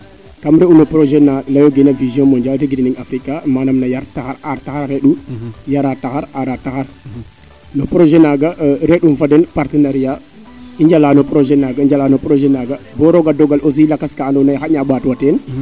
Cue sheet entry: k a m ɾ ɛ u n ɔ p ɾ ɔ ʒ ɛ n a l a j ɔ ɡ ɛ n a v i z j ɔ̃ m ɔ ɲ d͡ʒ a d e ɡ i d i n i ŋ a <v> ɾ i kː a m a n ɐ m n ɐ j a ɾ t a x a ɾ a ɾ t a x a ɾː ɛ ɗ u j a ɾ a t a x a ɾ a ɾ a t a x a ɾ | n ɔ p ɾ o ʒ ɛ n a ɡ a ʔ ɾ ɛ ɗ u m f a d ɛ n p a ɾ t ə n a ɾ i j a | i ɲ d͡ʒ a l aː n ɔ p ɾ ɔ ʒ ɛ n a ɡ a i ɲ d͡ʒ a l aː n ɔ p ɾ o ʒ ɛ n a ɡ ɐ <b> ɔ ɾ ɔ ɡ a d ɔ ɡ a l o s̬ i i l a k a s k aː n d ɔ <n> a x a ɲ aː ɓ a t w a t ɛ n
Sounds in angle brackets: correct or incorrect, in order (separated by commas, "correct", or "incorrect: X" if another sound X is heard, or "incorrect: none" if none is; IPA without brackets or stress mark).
incorrect: f, correct, correct